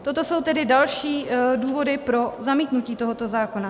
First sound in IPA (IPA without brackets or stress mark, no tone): t̪